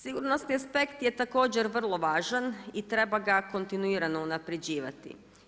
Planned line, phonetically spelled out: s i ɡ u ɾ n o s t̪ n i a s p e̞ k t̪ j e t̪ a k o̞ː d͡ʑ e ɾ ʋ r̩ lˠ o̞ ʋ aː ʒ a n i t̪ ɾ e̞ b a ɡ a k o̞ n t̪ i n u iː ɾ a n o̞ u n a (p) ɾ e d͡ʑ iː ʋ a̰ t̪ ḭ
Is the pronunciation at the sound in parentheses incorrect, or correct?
correct